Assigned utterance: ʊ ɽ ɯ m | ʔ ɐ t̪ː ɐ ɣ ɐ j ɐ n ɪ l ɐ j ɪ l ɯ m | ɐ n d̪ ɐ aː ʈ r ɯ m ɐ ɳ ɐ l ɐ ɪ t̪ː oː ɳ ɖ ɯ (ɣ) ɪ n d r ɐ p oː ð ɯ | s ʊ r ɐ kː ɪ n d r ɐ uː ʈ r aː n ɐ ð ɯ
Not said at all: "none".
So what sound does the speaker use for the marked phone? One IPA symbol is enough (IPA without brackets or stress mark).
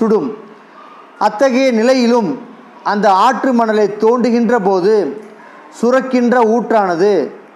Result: ɣ